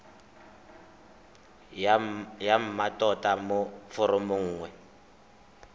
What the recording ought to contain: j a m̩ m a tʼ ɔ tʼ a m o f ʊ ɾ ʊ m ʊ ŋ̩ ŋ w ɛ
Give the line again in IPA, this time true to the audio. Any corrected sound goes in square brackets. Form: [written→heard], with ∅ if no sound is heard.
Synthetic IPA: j a m̩ m a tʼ ɔ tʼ a m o f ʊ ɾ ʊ m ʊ [ŋ̩→ŋ̩ː] ŋ w ɛ